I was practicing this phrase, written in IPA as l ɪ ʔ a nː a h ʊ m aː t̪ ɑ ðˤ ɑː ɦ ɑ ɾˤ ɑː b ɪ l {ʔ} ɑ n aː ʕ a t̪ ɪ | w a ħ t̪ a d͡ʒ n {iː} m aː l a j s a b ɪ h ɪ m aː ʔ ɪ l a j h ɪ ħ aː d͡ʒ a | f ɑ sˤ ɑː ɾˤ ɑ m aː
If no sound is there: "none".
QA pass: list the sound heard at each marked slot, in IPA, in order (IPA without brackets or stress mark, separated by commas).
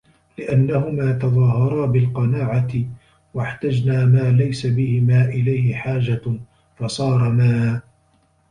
q, aː